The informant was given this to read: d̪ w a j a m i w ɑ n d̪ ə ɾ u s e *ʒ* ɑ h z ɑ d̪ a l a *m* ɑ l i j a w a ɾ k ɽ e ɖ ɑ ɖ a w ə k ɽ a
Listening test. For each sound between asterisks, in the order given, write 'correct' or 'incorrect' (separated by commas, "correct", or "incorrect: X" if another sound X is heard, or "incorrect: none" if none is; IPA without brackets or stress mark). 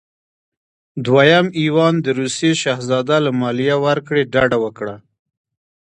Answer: incorrect: ʃ, correct